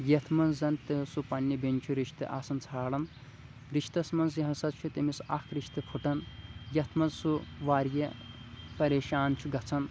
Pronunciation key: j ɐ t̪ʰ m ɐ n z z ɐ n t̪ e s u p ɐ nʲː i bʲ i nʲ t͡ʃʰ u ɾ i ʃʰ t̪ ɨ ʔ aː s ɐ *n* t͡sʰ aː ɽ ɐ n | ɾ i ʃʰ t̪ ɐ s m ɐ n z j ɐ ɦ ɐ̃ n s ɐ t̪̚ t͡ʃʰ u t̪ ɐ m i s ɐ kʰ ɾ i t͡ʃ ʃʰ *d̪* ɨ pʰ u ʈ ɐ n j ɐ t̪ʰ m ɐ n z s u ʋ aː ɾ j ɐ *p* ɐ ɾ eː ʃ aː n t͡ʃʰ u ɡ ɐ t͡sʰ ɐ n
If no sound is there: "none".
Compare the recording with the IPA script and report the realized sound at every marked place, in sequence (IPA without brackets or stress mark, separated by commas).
n, t̪, p